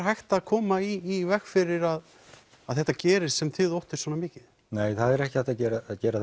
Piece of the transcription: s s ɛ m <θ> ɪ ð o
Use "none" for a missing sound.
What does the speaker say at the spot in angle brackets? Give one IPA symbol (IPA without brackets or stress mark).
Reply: θ